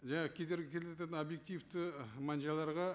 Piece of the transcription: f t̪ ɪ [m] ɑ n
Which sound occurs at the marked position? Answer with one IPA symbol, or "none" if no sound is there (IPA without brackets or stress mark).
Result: m